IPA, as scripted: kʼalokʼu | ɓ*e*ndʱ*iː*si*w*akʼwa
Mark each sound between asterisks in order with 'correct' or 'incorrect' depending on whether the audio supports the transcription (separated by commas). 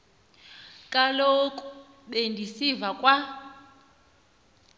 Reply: correct, incorrect, incorrect